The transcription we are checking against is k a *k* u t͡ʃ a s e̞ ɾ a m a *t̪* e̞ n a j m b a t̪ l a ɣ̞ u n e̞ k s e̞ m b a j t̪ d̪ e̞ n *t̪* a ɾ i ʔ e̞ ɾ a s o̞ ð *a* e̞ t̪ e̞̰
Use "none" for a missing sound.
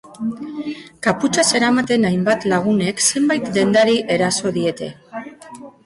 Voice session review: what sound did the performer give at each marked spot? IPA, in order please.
p, t̪, d̪, i

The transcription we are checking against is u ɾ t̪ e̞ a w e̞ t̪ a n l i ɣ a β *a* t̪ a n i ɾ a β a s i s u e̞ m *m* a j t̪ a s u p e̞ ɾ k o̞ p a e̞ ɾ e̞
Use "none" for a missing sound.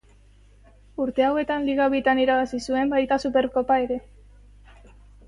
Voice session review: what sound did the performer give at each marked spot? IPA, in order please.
i, b

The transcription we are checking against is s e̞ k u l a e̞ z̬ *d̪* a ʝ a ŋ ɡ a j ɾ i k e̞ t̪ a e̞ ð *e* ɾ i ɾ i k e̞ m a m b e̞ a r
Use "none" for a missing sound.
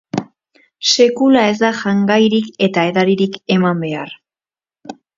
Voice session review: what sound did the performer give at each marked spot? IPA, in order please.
d̪, a

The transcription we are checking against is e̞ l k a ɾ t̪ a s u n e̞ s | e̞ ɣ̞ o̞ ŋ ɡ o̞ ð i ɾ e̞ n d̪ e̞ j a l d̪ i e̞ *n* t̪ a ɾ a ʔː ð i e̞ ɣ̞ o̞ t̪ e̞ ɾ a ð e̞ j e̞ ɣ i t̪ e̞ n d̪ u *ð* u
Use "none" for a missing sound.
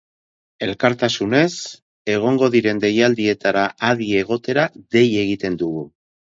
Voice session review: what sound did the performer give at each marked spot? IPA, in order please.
none, ɣ

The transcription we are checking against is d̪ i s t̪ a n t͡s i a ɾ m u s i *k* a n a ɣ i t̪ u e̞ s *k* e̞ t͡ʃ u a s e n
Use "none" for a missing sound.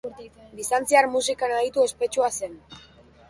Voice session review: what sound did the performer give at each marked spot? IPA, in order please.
k, p

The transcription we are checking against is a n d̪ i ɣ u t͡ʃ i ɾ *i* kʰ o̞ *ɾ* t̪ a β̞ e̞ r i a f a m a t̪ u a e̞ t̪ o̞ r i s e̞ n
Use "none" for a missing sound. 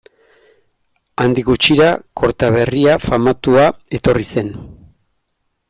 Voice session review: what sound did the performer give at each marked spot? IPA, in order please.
a, ɾ

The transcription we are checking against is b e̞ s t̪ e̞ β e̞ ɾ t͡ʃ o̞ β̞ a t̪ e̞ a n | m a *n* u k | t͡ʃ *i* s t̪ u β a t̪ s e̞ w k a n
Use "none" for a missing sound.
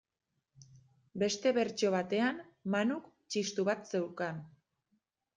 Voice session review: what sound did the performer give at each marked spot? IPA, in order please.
n, i

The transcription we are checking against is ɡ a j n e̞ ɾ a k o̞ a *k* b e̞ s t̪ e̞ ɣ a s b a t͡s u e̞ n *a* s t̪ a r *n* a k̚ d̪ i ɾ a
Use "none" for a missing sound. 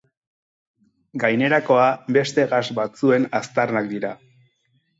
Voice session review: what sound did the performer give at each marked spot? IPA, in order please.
none, a, n

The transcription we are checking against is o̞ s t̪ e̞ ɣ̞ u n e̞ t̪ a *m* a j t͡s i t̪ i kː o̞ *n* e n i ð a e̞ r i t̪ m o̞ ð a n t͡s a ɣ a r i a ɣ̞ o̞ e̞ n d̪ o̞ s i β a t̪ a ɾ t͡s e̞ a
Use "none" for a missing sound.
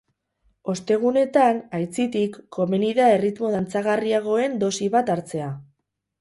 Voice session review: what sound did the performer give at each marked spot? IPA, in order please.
n, m

